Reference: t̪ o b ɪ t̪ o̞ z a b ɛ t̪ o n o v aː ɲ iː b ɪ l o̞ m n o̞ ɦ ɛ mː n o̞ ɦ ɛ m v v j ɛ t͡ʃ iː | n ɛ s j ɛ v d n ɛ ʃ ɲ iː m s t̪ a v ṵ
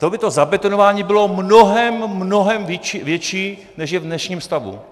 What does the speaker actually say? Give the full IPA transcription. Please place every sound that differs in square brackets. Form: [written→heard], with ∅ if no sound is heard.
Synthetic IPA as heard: t̪ o b ɪ t̪ o̞ z a b ɛ t̪ o n o v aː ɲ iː b ɪ l o̞ m n o̞ ɦ ɛ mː n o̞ ɦ ɛ m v v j ɛ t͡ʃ iː | n ɛ [s→ʃ] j ɛ v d n ɛ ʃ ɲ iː m s t̪ a v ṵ